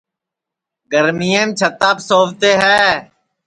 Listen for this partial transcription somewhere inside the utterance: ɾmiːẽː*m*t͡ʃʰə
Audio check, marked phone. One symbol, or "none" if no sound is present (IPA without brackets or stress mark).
m